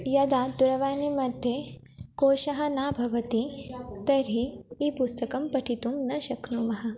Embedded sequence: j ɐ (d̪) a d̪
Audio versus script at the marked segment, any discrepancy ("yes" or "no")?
no